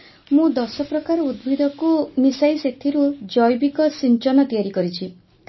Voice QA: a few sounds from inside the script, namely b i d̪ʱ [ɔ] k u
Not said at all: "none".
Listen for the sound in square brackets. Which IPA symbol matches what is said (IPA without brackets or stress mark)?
ɔ